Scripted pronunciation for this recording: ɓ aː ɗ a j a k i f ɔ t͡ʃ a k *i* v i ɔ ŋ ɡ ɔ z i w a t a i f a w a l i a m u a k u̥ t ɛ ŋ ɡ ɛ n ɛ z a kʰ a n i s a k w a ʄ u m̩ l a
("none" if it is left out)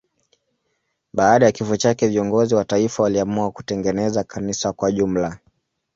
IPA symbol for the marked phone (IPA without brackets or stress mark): ɛ